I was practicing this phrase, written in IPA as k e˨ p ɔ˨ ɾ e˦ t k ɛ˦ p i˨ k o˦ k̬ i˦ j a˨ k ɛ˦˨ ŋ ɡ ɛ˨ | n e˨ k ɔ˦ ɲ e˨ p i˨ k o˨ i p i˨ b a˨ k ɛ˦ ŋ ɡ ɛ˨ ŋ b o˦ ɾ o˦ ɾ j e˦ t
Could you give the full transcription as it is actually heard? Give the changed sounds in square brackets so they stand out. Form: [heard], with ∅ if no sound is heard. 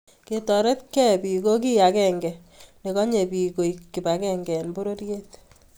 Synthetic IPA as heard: k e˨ [t] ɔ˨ ɾ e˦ t k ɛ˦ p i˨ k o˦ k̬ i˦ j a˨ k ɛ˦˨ ŋ ɡ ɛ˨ | n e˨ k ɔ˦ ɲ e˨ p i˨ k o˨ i [k] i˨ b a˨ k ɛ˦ ŋ ɡ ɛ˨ [n] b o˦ ɾ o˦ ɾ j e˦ t